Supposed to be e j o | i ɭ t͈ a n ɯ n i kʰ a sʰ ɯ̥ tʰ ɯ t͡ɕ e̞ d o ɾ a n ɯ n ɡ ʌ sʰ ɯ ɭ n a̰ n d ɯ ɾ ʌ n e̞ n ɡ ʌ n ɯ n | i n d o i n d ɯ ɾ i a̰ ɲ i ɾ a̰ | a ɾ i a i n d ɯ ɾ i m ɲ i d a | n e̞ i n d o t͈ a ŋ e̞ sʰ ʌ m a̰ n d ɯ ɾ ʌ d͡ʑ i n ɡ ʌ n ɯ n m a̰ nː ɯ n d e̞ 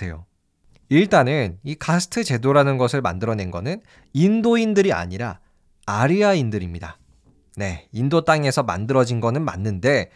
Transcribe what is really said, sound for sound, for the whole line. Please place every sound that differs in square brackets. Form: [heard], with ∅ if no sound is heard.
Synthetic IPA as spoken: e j o | i ɭ t͈ a n ɯ n i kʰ a sʰ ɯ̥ tʰ ɯ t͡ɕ e̞ d o ɾ a n ɯ n ɡ ʌ sʰ ɯ ɭ [m] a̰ n d ɯ ɾ ʌ n e̞ n ɡ ʌ n ɯ n | i n d o i n d ɯ ɾ i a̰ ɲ i ɾ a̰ | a ɾ i a i n d ɯ ɾ i m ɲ i d a | n e̞ i n d o t͈ a ŋ e̞ sʰ ʌ m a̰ n d ɯ ɾ ʌ d͡ʑ i n ɡ ʌ n ɯ n m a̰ nː ɯ n d e̞